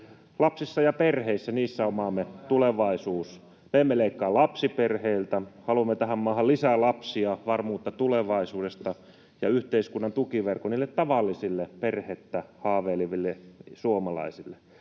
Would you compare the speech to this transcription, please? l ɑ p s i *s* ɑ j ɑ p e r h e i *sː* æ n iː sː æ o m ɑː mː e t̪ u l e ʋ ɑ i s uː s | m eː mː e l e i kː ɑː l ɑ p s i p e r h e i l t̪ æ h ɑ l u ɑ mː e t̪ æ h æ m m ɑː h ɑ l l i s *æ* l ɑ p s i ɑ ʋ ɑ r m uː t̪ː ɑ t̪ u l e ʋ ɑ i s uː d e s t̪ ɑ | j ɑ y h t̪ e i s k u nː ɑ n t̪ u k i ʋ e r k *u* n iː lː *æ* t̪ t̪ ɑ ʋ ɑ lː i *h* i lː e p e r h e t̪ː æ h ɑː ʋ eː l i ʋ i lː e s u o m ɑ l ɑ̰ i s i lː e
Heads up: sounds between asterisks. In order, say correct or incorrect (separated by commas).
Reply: incorrect, correct, correct, incorrect, incorrect, incorrect